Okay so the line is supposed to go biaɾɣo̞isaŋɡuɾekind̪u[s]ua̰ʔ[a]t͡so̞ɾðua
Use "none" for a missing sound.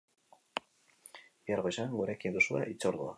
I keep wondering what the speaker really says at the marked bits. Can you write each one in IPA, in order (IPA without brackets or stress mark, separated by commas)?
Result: s, i